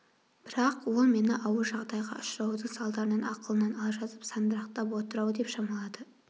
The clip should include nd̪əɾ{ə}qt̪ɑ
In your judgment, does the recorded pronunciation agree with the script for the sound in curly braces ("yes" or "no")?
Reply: no